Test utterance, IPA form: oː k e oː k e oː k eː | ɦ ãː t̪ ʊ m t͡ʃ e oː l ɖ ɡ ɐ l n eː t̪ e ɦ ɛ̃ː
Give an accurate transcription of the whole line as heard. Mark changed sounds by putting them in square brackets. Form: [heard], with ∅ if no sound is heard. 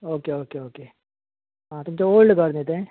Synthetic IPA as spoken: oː k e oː k e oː k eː | ɦ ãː t̪ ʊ m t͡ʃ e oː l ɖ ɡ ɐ [ɾ] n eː t̪ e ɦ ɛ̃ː